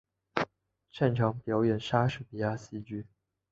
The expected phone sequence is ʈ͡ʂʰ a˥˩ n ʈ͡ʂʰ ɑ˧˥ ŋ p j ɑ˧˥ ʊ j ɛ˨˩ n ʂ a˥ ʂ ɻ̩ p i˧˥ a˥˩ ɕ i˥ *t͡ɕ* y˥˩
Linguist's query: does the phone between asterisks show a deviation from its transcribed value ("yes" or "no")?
no